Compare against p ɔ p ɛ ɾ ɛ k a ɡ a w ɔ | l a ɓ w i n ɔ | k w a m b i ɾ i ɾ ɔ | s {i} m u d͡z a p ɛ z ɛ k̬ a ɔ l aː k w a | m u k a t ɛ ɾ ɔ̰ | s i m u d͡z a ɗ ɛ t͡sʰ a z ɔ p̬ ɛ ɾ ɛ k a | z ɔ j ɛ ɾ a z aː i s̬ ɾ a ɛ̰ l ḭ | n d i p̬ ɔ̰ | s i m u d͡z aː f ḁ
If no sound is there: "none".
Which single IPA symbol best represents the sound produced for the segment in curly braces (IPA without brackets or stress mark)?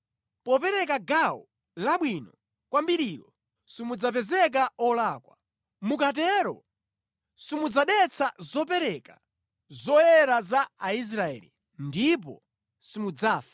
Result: i